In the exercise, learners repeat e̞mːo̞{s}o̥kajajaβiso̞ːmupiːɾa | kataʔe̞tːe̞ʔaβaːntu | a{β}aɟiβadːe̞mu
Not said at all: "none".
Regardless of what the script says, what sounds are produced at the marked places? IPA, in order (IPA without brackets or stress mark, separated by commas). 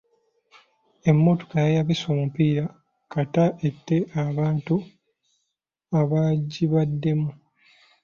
t, β